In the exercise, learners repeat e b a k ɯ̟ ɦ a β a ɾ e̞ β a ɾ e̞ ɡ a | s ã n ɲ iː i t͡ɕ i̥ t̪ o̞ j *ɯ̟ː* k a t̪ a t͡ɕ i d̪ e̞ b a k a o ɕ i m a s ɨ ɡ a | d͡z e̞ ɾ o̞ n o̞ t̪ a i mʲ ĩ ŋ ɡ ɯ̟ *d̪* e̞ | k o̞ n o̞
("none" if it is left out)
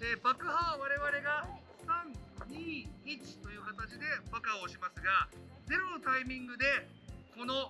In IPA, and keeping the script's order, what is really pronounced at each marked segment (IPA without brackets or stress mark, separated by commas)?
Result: ɯ̟ː, d̪